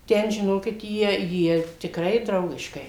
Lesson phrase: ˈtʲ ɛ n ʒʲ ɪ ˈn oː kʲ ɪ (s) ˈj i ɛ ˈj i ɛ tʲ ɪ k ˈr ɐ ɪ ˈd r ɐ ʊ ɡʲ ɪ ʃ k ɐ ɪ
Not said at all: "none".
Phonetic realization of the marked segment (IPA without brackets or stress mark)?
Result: t